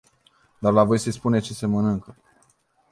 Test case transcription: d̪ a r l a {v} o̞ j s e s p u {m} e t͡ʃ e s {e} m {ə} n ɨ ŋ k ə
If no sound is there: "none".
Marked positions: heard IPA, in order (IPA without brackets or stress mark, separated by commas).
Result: v, n, e, ə